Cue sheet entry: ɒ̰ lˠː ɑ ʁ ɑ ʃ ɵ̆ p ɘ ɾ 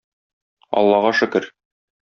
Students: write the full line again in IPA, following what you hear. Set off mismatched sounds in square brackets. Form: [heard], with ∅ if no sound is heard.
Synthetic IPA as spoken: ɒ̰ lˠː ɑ ʁ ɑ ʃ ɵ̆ [k] ɘ ɾ